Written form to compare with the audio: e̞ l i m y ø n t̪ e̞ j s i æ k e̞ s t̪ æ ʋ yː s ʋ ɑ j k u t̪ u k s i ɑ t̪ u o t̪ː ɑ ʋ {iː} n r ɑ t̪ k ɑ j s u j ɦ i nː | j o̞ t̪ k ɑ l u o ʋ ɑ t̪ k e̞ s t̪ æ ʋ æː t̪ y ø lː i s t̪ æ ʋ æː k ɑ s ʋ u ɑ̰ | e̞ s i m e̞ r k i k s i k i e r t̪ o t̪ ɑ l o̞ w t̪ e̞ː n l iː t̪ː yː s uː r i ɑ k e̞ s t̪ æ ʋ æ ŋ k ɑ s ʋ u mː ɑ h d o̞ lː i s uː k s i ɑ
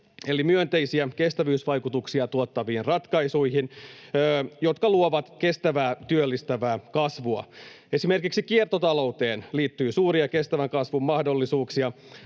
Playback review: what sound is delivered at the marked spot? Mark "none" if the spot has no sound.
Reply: iː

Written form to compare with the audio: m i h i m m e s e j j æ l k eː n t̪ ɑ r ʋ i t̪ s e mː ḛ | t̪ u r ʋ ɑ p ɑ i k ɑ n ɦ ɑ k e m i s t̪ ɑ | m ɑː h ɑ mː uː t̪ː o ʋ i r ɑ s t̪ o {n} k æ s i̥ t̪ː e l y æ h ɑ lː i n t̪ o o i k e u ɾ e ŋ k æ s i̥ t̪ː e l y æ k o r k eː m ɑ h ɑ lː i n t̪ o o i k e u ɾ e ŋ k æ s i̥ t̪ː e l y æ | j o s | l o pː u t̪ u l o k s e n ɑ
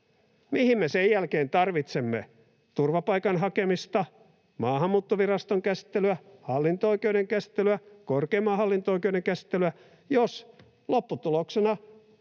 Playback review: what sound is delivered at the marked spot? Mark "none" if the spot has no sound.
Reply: ŋ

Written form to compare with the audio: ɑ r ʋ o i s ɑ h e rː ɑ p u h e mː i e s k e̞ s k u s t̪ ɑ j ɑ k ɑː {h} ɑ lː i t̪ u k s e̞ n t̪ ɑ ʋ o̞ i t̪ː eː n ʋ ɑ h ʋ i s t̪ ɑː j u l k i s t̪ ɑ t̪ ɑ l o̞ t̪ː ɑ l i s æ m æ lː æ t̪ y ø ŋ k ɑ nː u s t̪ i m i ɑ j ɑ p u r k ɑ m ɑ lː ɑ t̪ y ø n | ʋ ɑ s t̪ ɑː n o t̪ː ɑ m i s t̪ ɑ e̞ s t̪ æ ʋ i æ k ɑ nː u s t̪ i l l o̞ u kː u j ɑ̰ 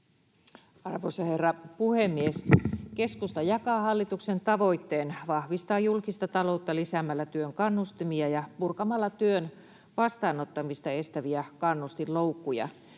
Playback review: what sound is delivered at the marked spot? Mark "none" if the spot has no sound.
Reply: h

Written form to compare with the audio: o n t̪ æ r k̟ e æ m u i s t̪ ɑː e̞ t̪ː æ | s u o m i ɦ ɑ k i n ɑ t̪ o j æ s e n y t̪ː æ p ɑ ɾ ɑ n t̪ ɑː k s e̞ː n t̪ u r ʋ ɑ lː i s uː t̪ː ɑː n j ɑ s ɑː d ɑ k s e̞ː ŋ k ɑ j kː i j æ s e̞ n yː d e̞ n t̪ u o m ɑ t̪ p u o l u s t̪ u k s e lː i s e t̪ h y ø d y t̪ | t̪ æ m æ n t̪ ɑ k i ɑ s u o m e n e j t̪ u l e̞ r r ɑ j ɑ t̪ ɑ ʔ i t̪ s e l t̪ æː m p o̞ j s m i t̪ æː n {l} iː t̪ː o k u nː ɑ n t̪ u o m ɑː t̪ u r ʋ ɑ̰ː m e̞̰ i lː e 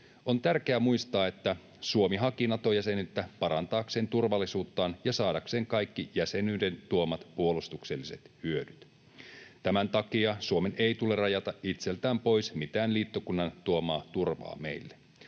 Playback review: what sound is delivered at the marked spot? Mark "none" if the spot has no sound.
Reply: l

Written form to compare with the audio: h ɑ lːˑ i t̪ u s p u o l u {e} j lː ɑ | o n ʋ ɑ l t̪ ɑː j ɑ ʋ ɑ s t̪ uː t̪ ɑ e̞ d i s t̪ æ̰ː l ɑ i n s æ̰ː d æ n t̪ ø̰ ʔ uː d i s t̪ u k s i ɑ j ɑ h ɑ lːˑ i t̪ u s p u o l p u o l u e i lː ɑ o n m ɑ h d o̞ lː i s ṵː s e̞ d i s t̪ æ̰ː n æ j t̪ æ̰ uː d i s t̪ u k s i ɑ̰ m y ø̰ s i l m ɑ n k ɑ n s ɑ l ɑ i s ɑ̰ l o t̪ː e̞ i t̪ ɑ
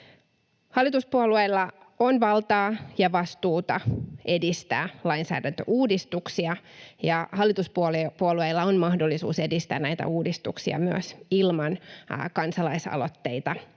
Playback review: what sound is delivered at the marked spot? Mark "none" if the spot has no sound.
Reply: e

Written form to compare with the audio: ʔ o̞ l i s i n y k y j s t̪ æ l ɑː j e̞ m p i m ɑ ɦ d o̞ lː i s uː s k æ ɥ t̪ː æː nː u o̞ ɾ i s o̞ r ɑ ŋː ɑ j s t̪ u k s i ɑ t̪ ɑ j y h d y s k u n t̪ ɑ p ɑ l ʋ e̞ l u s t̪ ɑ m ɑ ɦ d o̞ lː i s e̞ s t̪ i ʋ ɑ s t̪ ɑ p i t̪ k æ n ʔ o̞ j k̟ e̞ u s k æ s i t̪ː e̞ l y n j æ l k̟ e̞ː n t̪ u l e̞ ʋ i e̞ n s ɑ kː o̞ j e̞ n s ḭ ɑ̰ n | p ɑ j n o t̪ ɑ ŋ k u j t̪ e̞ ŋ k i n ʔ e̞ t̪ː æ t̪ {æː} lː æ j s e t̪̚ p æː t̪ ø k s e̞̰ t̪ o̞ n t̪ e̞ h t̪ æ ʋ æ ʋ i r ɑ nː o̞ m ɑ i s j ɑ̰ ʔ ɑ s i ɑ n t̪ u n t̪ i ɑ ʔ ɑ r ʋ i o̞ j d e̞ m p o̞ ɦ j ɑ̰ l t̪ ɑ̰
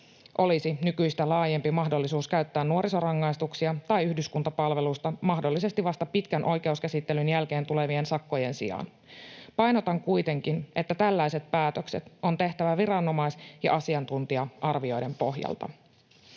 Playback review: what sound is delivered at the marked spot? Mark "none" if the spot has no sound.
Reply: æ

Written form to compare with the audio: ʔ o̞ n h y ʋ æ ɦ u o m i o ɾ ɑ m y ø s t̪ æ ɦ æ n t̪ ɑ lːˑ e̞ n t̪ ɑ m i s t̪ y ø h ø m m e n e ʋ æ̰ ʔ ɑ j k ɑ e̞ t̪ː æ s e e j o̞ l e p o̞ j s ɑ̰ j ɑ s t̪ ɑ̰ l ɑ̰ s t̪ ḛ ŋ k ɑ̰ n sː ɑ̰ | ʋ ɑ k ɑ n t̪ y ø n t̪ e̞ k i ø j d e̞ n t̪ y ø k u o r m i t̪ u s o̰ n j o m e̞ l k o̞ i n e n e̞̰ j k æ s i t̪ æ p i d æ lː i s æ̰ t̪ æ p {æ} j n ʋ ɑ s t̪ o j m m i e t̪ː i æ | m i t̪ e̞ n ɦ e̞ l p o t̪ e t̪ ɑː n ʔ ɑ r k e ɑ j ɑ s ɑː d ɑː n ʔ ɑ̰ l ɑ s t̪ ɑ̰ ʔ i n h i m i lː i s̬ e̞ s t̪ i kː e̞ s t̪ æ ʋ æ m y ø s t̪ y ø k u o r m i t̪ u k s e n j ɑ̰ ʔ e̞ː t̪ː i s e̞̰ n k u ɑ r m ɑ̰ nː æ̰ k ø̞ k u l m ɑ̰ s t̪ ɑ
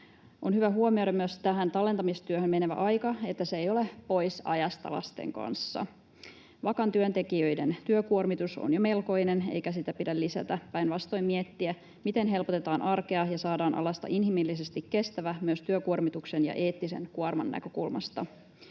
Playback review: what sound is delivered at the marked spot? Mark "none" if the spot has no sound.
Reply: æ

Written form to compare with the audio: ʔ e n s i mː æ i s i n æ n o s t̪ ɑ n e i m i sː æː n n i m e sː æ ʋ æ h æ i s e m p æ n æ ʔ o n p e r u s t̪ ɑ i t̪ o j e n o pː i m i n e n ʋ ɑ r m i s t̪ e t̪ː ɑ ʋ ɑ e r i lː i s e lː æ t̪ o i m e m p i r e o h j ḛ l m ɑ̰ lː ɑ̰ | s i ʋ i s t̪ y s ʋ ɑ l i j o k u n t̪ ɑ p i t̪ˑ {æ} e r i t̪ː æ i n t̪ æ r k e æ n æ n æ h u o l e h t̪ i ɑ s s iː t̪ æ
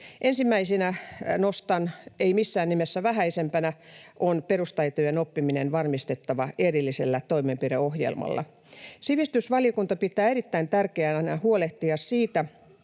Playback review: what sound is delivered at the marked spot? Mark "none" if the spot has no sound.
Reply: æː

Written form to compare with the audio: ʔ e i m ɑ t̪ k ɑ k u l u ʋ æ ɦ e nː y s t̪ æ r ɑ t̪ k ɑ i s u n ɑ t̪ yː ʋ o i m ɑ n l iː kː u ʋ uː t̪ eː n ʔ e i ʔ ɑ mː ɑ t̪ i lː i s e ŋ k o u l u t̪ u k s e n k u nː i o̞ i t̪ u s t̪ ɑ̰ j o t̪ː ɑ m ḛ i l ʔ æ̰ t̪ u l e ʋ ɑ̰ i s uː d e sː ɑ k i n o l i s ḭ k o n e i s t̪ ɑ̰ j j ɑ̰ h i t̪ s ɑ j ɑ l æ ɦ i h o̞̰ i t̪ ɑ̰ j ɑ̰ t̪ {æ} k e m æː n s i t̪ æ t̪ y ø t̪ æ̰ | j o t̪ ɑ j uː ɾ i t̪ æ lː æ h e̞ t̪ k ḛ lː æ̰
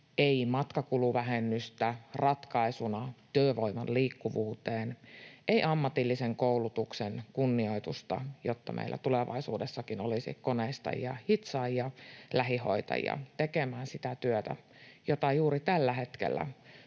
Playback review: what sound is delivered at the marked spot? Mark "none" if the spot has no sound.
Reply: e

